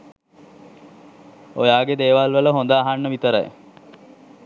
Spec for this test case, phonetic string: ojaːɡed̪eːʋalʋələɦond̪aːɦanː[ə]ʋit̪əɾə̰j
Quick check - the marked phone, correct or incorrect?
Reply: correct